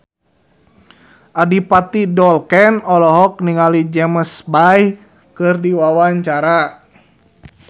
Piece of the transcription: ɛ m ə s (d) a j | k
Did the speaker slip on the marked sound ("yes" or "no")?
yes